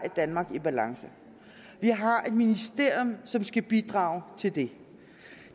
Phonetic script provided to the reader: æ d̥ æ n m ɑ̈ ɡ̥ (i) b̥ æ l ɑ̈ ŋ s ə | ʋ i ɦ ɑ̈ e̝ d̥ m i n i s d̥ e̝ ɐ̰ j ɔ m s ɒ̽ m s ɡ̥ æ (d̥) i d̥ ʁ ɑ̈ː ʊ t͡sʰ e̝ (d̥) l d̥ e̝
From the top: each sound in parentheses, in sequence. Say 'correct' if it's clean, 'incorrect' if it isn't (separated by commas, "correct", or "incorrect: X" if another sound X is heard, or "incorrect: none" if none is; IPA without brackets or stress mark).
correct, incorrect: b̥, incorrect: none